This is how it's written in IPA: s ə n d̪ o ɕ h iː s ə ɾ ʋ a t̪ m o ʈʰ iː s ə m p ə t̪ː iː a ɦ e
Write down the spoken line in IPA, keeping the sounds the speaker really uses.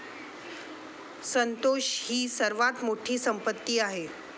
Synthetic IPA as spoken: s ə n t̪ o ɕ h iː s ə ɾ ʋ a t̪ m o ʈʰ iː s ə m p ə t̪ː iː a ɦ e